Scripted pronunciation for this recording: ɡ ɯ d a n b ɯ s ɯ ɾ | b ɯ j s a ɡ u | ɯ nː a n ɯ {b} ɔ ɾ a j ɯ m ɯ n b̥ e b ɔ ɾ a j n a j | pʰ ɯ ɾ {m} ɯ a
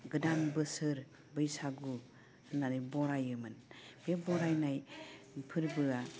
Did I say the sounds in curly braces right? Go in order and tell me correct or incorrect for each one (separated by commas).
correct, incorrect